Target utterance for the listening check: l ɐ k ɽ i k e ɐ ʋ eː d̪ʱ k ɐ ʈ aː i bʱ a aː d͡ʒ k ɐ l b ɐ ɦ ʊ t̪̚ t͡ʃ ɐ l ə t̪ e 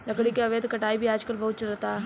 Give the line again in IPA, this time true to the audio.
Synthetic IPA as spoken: l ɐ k ɽ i k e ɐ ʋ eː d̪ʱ k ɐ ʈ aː i bʱ i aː d͡ʒ k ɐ l b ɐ ɦ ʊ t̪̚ t͡ʃ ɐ l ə t̪ a